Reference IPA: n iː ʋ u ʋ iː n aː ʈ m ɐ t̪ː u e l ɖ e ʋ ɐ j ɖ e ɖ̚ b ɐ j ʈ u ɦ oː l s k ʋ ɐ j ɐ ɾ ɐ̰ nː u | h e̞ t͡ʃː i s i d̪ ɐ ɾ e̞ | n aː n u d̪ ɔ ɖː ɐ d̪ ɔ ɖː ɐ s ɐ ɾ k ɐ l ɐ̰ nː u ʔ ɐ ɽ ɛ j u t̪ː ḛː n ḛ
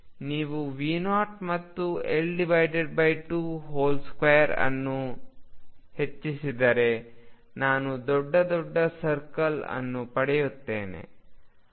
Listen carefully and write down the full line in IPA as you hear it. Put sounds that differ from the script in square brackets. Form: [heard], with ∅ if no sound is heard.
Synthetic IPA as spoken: n iː ʋ u ʋ iː n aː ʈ m ɐ t̪ː u e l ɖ [i] ʋ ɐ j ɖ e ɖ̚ b ɐ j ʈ u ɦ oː l s k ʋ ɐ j ɐ ɾ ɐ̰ nː u | h e̞ t͡ʃː i s i d̪ ɐ ɾ e̞ | n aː n u d̪ ɔ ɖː ɐ d̪ ɔ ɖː ɐ s ɐ ɾ k ɐ l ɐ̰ nː u [p] ɐ ɽ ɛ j u t̪ː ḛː n ḛ

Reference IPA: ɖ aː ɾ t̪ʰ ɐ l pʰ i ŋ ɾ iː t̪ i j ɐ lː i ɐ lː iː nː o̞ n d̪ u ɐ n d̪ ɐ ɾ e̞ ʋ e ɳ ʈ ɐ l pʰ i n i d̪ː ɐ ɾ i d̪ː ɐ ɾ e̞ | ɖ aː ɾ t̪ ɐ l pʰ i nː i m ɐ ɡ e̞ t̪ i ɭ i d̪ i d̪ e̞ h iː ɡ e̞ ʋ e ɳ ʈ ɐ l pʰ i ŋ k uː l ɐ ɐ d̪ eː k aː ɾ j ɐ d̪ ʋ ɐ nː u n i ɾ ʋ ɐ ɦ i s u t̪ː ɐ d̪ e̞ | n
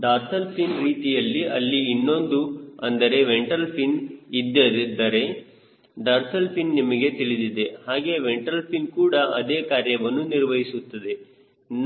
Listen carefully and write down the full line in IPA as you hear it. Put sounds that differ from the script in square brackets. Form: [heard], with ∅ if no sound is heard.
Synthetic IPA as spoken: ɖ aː ɾ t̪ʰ ɐ l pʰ i [n] ɾ iː t̪ i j ɐ lː i ɐ lː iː nː o̞ n d̪ u ɐ n d̪ ɐ ɾ e̞ ʋ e ɳ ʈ ɐ l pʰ i n i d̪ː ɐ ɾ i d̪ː ɐ ɾ e̞ | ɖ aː ɾ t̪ ɐ l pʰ i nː i m ɐ ɡ e̞ t̪ i ɭ i d̪ i d̪ e̞ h [aː] ɡ e̞ ʋ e ɳ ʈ ɐ l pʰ i [n] k uː [ɽ] ɐ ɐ d̪ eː k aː ɾ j ɐ [∅] ʋ ɐ nː u n i ɾ ʋ ɐ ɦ i s u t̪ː ɐ d̪ e̞ | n

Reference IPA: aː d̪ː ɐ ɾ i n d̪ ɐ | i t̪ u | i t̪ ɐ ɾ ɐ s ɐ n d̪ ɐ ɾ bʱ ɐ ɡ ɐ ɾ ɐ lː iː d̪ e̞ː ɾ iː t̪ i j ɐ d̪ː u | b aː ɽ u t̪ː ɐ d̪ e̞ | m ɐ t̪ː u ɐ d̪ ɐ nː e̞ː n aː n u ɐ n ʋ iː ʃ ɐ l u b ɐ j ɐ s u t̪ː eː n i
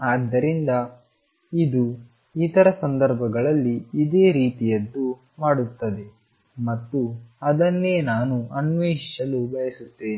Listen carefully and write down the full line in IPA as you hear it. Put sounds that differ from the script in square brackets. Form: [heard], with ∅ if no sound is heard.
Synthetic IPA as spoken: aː d̪ː ɐ ɾ i n d̪ ɐ | i [d̪] u | i t̪ ɐ ɾ ɐ s ɐ n d̪ ɐ ɾ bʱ ɐ ɡ ɐ [ɭ] ɐ lː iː d̪ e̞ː ɾ iː t̪ i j ɐ d̪ː u | [m] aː ɽ u t̪ː ɐ d̪ e̞ | m ɐ t̪ː u ɐ d̪ ɐ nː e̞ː n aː n u ɐ n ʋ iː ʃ ɐ l u b ɐ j ɐ s u t̪ː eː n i

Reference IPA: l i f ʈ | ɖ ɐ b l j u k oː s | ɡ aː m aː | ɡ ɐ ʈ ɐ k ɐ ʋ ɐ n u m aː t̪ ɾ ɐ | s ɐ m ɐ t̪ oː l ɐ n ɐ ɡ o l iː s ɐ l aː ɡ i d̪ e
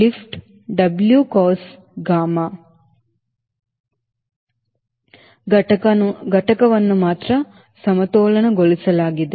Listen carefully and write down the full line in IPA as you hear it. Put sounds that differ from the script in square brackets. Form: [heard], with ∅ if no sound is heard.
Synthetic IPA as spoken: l i f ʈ | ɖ ɐ b l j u k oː s | ɡ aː m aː | ɡ ɐ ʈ ɐ k ɐ ʋ ɐ [nː] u m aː t̪ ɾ ɐ | s ɐ m ɐ t̪ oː l ɐ n ɐ ɡ o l [i] s ɐ l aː ɡ i d̪ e

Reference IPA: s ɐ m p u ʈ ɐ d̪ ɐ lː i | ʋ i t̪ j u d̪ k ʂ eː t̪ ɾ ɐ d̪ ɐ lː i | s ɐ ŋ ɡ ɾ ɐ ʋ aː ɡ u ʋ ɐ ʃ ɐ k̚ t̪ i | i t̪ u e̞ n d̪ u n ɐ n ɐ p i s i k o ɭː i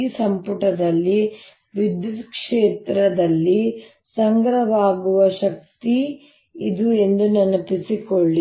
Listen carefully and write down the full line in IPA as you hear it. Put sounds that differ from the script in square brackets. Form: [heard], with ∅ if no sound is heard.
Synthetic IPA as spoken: s ɐ m p u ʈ ɐ d̪ ɐ lː i | ʋ i [d̪] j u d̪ k ʂ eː t̪ ɾ ɐ d̪ ɐ lː i | s ɐ ŋ ɡ ɾ ɐ ʋ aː ɡ u ʋ ɐ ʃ ɐ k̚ t̪ i | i [d̪] u e̞ n d̪ u n ɐ n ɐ p i s i k o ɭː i

